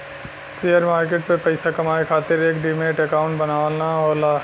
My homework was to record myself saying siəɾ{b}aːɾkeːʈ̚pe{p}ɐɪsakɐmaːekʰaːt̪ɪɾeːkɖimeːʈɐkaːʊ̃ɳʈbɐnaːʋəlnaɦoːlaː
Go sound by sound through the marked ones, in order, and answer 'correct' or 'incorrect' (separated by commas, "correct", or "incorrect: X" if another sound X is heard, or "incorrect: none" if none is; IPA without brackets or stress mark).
incorrect: m, correct